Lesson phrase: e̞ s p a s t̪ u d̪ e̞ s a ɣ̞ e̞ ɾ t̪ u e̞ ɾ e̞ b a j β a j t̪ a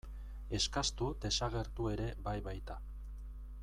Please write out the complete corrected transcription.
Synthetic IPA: e̞ s k a s t̪ u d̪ e̞ s a ɣ̞ e̞ ɾ t̪ u e̞ ɾ e̞ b a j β a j t̪ a